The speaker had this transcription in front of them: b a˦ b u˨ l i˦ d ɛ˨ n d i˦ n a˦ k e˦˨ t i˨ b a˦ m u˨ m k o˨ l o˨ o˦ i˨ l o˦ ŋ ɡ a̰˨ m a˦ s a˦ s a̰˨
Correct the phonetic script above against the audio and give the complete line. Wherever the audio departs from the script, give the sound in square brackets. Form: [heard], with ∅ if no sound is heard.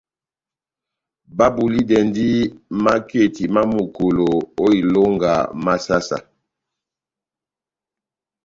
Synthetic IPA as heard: b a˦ b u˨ l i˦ d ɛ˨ n d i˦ [m] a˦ k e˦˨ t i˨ [m] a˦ m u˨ [∅] k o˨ l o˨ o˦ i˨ l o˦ ŋ ɡ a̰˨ m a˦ s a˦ s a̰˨